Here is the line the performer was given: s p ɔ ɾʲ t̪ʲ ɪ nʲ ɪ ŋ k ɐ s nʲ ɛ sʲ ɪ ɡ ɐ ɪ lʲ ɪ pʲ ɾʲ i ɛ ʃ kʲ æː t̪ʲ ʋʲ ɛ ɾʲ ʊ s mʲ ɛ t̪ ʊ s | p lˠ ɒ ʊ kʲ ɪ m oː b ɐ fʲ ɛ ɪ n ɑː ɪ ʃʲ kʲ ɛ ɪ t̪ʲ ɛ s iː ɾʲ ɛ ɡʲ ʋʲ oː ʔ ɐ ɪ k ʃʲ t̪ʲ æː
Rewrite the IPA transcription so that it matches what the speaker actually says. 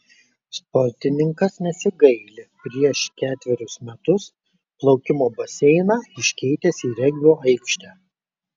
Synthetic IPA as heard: s p ɔ ɾʲ t̪ʲ ɪ nʲ ɪ ŋ k ɐ s nʲ ɛ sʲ ɪ ɡ ɐ ɪ lʲ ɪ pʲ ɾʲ i ɛ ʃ kʲ æː t̪ʲ ʋʲ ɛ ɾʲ ʊ s mʲ ɛ t̪ ʊ s | p lˠ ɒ ʊ kʲ ɪ m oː b ɐ sʲ ɛ ɪ n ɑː ɪ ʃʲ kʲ ɛ ɪ t̪ʲ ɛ s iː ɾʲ ɛ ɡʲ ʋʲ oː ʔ ɐ ɪ k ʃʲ t̪ʲ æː

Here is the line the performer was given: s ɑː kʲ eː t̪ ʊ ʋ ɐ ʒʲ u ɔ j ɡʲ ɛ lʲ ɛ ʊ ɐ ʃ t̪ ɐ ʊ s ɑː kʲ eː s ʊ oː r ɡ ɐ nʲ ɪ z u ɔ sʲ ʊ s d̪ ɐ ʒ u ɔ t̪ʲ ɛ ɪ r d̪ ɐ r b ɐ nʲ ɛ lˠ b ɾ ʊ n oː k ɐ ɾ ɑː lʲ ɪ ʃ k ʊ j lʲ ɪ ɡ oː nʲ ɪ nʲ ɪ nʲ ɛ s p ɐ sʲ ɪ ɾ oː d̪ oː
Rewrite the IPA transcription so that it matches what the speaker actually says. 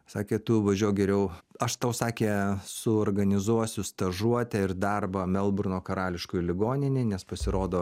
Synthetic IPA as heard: s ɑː kʲ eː t̪ ʊ ʋ ɐ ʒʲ u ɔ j ɡʲ ɛ ɾʲ ɛ ʊ ɐ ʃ t̪ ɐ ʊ s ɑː kʲ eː s ʊ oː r ɡ ɐ nʲ ɪ z u ɔ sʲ ʊ s t̪ ɐ ʒ u ɔ t̪ʲ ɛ ɪ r d̪ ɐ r b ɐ mʲ ɛ lˠ b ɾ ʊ n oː k ɐ ɾ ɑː lʲ ɪ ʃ k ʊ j lʲ ɪ ɡ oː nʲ ɪ nʲ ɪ nʲ ɛ s p ɐ sʲ ɪ ɾ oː d̪ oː

